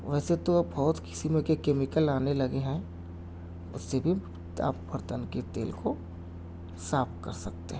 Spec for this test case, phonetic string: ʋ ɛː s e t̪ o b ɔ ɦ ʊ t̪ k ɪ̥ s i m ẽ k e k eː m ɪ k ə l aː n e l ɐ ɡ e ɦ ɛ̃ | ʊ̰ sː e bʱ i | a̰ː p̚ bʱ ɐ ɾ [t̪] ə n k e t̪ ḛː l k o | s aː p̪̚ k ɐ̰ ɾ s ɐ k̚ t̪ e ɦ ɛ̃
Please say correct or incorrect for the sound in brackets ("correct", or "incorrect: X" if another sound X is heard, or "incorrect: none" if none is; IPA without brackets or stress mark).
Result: correct